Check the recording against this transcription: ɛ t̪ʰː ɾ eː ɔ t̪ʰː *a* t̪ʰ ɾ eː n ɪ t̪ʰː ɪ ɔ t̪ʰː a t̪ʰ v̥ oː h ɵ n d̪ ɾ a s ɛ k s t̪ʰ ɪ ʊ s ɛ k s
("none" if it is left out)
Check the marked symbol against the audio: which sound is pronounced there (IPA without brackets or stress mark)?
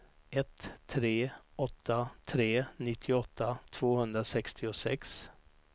a